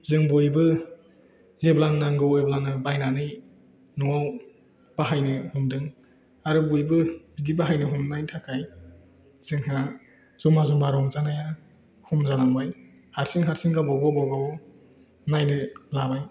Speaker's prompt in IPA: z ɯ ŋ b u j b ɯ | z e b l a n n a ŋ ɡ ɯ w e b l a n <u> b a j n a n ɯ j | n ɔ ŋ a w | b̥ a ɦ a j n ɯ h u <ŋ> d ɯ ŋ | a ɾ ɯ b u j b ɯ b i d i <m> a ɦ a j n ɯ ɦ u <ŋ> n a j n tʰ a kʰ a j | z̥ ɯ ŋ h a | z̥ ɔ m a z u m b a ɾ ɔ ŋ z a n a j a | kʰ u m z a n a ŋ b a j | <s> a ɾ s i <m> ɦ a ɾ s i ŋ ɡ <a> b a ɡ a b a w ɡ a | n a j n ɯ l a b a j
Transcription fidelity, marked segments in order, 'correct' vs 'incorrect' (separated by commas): incorrect, incorrect, incorrect, incorrect, incorrect, incorrect, correct